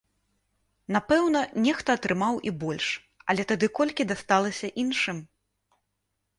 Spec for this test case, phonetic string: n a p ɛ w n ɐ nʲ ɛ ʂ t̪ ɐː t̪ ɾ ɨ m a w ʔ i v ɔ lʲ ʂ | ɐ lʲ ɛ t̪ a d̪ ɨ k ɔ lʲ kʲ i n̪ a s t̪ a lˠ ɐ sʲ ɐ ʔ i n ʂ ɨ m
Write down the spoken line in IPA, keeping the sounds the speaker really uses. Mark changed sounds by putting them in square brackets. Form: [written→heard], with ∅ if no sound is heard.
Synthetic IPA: n a p ɛ w n ɐ nʲ ɛ [ʂ→x] t̪ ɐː t̪ ɾ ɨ m a w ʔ i [v→b] ɔ lʲ ʂ | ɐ lʲ ɛ t̪ a d̪ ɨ k ɔ lʲ kʲ i [n̪→d̪] a s t̪ a lˠ ɐ sʲ ɐ ʔ i n ʂ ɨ m